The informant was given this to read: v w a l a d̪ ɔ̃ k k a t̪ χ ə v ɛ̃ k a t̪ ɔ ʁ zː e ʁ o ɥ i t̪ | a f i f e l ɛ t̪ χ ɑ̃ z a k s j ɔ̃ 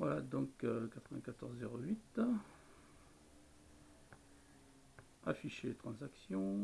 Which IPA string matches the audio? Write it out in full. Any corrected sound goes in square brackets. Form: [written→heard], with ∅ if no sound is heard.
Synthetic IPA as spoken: v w a l a d̪ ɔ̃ k k a t̪ χ ə v ɛ̃ k a t̪ ɔ ʁ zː e ʁ o ɥ i t̪ | a f i [f→ʃ] e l [ɛ→e] t̪ χ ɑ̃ z a k s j ɔ̃